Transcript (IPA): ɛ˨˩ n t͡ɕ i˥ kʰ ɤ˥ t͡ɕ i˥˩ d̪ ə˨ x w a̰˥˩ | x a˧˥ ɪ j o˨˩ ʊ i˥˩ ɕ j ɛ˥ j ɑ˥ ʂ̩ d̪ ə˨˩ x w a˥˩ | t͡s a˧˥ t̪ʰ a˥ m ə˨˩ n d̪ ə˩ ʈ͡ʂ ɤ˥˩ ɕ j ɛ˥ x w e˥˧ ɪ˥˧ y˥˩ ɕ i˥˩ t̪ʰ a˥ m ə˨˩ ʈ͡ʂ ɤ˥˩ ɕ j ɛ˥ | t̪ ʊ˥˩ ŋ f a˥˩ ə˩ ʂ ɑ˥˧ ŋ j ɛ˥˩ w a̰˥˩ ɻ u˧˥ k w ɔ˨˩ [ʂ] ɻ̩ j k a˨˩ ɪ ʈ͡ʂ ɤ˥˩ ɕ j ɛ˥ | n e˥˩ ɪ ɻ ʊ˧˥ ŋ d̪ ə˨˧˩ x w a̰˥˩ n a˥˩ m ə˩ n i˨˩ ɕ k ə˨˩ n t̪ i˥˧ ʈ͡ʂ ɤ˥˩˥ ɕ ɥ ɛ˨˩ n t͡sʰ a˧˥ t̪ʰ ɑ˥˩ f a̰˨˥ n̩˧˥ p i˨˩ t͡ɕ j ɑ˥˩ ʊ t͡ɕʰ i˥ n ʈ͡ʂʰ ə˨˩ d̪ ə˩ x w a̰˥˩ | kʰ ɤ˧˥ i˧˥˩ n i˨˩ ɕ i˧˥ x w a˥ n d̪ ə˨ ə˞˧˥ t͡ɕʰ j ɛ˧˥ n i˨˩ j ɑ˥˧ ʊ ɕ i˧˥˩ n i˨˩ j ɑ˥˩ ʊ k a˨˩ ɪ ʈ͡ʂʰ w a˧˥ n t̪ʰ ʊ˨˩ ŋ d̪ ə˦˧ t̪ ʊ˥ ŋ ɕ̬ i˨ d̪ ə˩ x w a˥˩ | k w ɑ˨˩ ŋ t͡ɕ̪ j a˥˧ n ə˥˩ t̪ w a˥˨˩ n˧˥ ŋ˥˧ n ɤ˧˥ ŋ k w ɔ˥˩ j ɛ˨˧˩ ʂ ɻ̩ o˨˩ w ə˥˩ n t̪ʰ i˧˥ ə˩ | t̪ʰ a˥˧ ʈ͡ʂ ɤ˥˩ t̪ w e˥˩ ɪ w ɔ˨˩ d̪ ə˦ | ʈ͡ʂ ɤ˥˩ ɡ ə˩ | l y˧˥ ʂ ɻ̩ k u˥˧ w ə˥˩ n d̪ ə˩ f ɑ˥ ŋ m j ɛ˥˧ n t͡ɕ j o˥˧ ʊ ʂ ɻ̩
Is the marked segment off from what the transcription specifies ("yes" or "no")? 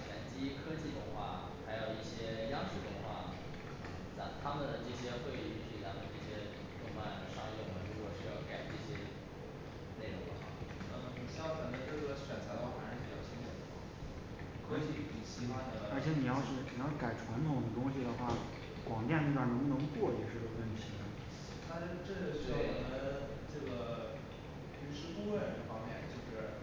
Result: no